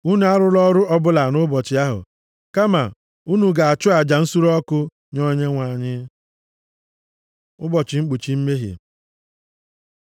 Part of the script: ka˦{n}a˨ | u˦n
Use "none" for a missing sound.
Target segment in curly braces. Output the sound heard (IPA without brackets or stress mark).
m